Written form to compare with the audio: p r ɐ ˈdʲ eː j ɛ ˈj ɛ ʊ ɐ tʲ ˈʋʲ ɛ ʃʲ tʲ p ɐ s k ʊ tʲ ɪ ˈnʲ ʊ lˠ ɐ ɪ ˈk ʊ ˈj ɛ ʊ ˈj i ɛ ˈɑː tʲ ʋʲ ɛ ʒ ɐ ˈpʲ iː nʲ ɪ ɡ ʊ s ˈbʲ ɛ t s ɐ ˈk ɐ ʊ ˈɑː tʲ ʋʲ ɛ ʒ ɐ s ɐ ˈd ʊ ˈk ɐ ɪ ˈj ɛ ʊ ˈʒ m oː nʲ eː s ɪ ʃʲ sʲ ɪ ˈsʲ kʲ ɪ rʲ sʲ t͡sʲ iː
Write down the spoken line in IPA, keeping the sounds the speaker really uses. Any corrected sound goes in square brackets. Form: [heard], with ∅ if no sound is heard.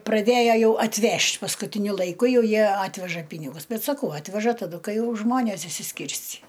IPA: p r ɐ ˈdʲ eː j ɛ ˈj ɛ ʊ ɐ tʲ ˈʋʲ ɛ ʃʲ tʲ p ɐ s k ʊ tʲ ɪ ˈnʲ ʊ lˠ ɐ ɪ ˈk ʊ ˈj ɛ ʊ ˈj i ɛ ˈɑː tʲ ʋʲ ɛ ʒ ɐ ˈpʲ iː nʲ ɪ ɡ ʊ s ˈbʲ ɛ t s ɐ ˈk ɐ ʊ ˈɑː tʲ ʋʲ ɛ ʒ ɐ [t] ɐ ˈd ʊ ˈk ɐ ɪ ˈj ɛ ʊ ˈʒ m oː nʲ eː s ɪ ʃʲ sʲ ɪ ˈsʲ kʲ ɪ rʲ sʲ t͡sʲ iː